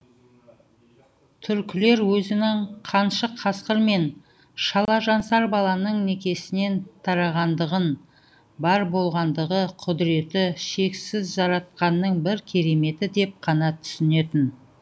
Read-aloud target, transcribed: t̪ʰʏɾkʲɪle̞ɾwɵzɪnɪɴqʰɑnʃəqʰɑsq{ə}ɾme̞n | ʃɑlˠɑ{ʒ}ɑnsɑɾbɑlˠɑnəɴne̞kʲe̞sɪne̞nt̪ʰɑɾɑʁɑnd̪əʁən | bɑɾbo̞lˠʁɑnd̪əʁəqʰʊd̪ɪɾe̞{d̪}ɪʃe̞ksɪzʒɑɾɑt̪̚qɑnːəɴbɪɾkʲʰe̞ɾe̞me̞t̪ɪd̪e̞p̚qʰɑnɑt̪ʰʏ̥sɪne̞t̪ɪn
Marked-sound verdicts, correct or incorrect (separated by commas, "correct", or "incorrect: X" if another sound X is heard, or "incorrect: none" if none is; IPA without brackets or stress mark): correct, correct, incorrect: t̪